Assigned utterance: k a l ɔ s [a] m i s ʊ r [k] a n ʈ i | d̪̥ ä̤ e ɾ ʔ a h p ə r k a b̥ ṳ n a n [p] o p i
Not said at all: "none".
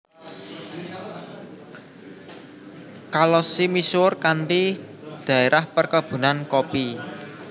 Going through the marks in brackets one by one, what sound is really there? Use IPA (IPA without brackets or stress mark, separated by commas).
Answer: i, k, k